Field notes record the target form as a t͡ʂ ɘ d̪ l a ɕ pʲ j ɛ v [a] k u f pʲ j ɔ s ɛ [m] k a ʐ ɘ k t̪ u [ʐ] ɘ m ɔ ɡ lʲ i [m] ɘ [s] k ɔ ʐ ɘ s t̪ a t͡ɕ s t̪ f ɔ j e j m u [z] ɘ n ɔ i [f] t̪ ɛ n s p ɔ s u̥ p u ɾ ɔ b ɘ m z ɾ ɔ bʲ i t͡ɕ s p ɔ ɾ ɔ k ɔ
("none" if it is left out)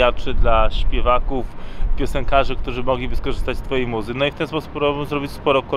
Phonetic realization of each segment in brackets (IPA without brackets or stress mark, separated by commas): a, ŋ, ʐ, b, s, z, f